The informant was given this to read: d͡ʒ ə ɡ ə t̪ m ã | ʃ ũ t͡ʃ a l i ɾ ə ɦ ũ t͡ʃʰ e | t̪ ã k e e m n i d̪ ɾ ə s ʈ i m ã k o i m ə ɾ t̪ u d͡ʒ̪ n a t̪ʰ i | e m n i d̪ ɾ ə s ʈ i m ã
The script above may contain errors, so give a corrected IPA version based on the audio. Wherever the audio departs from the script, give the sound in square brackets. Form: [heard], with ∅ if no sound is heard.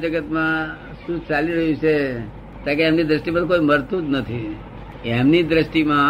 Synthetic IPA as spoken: d͡ʒ ə ɡ ə t̪ m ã | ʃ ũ t͡ʃ a l i ɾ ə ɦ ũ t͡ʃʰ e | t̪ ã k e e m n i d̪ ɾ ə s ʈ i m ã k o i m ə ɾ t̪ u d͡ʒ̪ n [ə] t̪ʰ i | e m n i d̪ ɾ ə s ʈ i m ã